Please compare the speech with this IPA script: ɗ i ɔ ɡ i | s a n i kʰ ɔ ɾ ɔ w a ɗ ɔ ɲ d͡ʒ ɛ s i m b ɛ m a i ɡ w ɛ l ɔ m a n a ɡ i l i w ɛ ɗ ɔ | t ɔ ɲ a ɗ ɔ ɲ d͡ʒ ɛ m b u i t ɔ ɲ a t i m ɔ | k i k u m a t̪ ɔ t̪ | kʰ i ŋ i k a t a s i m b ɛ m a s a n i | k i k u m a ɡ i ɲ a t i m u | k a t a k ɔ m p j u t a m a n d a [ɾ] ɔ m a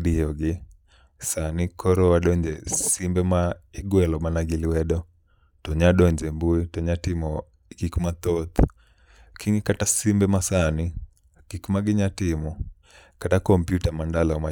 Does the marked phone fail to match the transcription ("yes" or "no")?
yes